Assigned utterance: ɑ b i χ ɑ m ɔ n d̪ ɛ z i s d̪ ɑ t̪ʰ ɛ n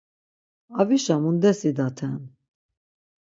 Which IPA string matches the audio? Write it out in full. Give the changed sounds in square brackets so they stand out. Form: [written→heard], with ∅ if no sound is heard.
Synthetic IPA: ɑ [b→v] i [χ→ʃ] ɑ m [ɔ→u] n d̪ ɛ [z→s] i [s→∅] d̪ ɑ t̪ʰ ɛ n